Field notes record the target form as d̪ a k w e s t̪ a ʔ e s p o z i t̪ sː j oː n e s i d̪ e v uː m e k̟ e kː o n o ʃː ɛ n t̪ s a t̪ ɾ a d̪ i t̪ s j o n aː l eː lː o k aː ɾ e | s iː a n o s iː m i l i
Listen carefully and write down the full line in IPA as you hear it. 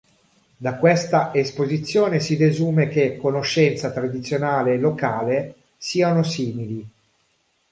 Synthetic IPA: d̪ a k w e s t̪ a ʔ e s p o z i t̪ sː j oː n e s i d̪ e z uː m e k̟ e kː o n o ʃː ɛ n t̪ s a t̪ ɾ a d̪ i t̪ s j o n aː l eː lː o k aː l e | s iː a n o s iː m i l i